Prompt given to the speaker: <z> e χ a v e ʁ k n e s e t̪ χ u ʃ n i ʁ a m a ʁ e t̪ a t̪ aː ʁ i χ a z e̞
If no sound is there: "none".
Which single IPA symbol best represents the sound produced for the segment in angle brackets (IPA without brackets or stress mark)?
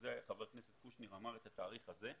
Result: z